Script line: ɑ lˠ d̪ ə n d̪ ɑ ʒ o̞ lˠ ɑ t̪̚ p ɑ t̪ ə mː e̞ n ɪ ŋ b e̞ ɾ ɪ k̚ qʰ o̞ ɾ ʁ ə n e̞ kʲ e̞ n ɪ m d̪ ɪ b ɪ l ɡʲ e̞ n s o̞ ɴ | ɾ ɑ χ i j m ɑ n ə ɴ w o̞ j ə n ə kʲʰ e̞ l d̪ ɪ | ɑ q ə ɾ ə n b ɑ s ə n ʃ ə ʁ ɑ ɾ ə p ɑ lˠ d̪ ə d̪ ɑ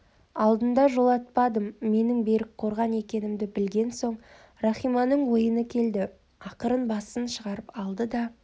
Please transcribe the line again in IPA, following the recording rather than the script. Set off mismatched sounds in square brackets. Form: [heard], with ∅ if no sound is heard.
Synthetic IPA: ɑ lˠ d̪ ə n d̪ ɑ ʒ o̞ lˠ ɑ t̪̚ p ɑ [d̪] ə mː e̞ n ɪ ŋ b e̞ ɾ ɪ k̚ qʰ o̞ ɾ ʁ [ɑ] n e̞ kʲ e̞ n ɪ m d̪ ɪ b ɪ l ɡʲ e̞ n s o̞ ɴ | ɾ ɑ χ i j m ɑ n ə ɴ w o̞ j ə n ə kʲʰ e̞ l d̪ ɪ | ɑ q ə ɾ ə n b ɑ s ə n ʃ ə ʁ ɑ ɾ ə p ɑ lˠ d̪ ə d̪ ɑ